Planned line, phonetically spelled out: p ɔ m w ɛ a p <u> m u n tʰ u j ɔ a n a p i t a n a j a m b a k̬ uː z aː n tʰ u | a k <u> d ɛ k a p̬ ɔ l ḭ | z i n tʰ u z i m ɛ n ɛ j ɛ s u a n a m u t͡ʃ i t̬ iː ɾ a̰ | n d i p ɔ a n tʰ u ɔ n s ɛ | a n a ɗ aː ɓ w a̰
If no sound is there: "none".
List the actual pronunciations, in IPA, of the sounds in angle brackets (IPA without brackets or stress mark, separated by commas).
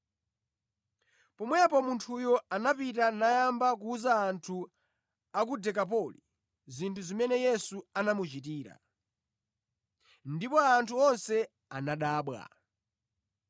ɔ, u